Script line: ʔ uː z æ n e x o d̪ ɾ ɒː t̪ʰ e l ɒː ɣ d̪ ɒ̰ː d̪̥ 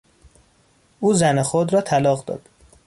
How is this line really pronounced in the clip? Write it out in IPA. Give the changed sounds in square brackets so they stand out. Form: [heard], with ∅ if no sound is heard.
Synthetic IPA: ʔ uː z æ n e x o d̪ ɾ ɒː t̪ʰ [æ] l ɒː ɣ d̪ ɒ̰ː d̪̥